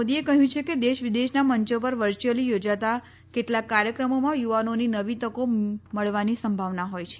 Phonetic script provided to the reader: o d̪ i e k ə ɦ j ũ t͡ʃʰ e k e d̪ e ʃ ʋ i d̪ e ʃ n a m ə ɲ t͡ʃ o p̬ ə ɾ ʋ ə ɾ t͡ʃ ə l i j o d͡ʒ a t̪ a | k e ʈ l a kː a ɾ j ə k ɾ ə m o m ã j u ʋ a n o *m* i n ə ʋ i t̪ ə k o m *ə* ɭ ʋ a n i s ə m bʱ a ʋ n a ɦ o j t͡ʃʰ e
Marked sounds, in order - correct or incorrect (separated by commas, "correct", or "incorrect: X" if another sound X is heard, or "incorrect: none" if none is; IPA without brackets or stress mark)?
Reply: incorrect: n, correct